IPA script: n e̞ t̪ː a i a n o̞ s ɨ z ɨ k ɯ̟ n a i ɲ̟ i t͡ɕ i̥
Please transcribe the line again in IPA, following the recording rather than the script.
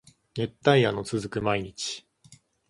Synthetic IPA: n e̞ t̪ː a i a n o̞ t͡s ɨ z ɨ k ɯ̟ m a i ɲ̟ i t͡ɕ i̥